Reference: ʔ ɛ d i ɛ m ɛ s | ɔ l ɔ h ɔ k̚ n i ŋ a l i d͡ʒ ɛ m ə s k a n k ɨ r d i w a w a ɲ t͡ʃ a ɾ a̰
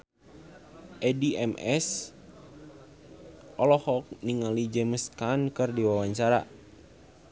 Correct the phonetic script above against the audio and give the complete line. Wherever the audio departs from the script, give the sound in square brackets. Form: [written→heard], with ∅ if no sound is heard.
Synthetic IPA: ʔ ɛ d i ɛ m ɛ s | ɔ l ɔ h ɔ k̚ n i ŋ a l i d͡ʒ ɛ m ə s k a n k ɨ r d i w a w a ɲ t͡ʃ a ɾ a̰